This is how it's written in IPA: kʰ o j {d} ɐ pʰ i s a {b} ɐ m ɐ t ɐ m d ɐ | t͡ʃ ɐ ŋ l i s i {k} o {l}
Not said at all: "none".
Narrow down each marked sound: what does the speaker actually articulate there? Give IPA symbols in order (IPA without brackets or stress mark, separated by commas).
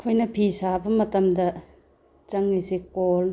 n, b, k, l